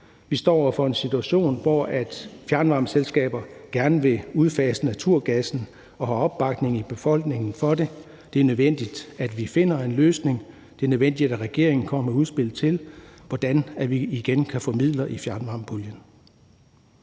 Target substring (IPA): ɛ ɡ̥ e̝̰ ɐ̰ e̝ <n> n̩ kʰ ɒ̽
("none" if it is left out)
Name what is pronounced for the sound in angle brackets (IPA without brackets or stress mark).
ŋ